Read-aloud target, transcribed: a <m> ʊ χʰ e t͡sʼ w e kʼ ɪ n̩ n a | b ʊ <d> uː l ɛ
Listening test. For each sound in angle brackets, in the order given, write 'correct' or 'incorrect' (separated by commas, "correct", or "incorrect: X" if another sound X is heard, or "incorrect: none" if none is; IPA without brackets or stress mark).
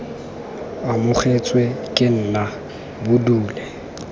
correct, correct